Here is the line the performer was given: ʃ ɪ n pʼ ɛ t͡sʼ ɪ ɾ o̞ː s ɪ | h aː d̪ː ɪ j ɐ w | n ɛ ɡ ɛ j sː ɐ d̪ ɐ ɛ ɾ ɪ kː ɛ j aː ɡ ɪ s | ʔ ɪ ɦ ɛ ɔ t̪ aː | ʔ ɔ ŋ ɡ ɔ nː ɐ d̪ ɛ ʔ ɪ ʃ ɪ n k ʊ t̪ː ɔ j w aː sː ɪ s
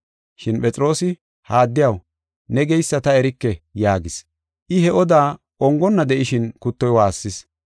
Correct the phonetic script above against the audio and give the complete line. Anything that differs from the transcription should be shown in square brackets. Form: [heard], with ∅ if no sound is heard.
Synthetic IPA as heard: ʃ ɪ n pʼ ɛ t͡sʼ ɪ ɾ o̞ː s ɪ | h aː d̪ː ɪ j ɐ w | n ɛ ɡ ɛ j sː ɐ [t̪] ɐ ɛ ɾ ɪ kː ɛ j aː ɡ ɪ s | ʔ ɪ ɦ ɛ ɔ [d̪] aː | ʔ ɔ ŋ ɡ ɔ nː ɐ d̪ ɛ ʔ ɪ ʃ ɪ n k ʊ t̪ː ɔ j w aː sː ɪ s